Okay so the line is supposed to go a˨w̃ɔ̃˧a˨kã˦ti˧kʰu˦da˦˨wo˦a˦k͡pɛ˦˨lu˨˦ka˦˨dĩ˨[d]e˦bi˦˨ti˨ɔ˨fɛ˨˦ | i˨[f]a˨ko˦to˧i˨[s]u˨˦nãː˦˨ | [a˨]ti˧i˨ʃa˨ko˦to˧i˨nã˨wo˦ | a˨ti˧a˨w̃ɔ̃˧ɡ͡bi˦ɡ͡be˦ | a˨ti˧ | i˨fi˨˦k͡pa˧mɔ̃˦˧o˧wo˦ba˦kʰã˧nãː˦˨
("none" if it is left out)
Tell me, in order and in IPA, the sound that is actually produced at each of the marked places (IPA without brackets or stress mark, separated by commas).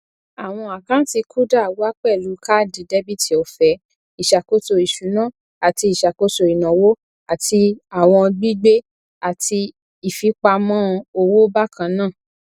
d, ʃ, ʃ, a˨